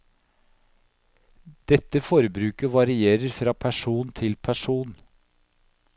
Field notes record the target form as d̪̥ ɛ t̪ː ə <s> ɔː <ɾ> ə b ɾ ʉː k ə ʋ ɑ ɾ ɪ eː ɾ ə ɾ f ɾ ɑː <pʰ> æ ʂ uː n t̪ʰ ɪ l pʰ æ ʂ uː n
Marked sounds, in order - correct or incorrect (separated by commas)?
incorrect, correct, correct